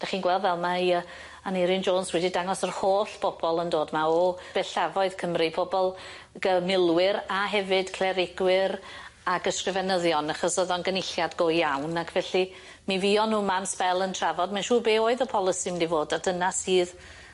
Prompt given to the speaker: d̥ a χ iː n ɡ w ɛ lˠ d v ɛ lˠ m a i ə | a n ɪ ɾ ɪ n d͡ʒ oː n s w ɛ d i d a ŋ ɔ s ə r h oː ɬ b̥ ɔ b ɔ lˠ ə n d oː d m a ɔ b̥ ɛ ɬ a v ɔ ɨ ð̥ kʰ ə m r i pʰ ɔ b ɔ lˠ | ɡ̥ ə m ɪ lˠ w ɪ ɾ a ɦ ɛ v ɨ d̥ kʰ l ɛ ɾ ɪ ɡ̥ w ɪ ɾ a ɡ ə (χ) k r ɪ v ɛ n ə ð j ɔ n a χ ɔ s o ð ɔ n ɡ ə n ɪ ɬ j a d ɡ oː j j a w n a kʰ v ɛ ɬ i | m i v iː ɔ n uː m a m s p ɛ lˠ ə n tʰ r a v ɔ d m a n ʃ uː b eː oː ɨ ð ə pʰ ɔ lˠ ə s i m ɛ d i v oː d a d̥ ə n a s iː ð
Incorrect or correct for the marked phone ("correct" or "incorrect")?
incorrect